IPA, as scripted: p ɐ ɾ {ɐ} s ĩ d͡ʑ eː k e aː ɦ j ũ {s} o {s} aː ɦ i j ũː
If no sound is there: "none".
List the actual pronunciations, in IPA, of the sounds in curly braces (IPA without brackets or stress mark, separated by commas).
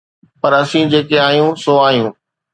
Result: ɐ, s, none